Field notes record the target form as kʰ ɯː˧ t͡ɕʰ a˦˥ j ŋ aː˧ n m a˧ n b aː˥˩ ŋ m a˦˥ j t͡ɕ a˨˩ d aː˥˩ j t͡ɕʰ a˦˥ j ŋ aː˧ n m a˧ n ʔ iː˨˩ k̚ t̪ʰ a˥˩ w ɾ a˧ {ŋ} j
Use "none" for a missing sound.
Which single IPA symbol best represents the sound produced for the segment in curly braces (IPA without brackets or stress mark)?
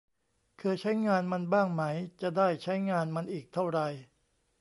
none